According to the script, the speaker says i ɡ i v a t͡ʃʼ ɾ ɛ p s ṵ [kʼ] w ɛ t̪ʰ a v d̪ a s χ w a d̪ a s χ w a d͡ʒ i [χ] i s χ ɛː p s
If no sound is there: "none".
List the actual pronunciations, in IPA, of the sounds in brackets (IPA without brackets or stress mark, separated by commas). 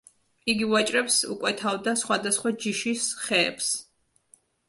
kʼ, ʃ